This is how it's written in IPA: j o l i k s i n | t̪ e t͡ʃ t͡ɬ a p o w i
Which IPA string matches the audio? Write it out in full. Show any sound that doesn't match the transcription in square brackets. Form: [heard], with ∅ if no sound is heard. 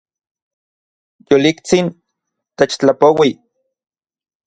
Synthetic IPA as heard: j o l i k [t͡s] i n | t̪ e t͡ʃ t͡ɬ a p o w i